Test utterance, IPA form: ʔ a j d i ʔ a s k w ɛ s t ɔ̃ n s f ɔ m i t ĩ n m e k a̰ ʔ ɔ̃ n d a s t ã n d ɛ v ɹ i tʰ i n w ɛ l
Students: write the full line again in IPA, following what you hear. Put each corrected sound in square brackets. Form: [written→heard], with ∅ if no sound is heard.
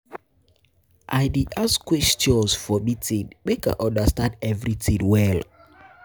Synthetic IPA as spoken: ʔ a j d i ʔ a s k w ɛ s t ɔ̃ n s f ɔ m i t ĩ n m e k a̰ ʔ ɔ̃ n d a s t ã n d ɛ v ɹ i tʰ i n w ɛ l